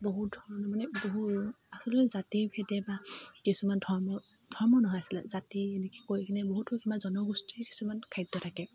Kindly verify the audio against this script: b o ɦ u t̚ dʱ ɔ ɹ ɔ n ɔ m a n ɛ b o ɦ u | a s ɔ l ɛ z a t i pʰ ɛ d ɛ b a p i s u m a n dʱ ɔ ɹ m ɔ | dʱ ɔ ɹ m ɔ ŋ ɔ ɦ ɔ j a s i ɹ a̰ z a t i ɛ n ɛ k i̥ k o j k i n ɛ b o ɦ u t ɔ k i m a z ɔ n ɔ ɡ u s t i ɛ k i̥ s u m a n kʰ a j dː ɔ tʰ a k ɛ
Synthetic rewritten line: b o ɦ u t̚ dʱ ɔ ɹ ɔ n ɔ m a n ɛ b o ɦ u | a s ɔ l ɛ z a t i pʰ ɛ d ɛ b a k i s u m a n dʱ ɔ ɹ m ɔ | dʱ ɔ ɹ m ɔ n ɔ ɦ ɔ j a s i l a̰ z a t i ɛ n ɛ k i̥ k o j k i n ɛ b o ɦ u t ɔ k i m a z ɔ n ɔ ɡ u s t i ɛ k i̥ s u m a n kʰ a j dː ɔ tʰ a k ɛ